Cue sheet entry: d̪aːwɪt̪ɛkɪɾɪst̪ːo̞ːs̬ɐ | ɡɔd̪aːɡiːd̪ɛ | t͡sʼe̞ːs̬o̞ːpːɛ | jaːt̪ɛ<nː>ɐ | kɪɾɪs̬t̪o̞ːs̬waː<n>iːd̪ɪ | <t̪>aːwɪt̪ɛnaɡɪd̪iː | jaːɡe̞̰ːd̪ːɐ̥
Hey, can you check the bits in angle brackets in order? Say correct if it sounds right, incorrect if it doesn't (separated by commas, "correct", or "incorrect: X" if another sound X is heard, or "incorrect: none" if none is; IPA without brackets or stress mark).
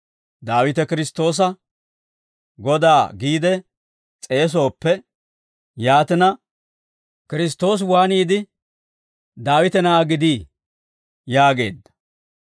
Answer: incorrect: n, correct, incorrect: d̪